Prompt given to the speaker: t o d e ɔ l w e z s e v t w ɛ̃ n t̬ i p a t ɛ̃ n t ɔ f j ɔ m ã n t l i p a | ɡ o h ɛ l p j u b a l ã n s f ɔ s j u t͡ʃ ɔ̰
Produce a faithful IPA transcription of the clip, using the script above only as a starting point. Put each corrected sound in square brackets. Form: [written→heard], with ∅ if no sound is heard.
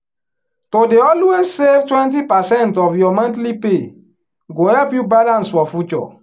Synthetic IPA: t o d e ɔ l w e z s e v t w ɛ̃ n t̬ i p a [t→s] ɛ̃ n t ɔ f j ɔ m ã n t l i p [a→e] | ɡ o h ɛ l p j u b a l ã n s f ɔ [s→f] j u t͡ʃ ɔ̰